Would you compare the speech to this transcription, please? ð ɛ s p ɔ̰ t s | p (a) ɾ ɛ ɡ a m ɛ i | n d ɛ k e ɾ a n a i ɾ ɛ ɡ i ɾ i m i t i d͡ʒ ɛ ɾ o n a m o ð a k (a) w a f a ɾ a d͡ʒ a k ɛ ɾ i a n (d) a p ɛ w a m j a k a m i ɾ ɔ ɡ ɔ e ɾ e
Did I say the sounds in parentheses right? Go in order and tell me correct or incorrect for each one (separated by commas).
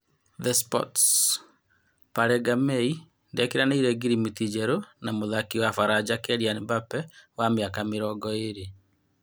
correct, incorrect, incorrect